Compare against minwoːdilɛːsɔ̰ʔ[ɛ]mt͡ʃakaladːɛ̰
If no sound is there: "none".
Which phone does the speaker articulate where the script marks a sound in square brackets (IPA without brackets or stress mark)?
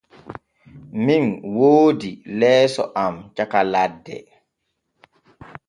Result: a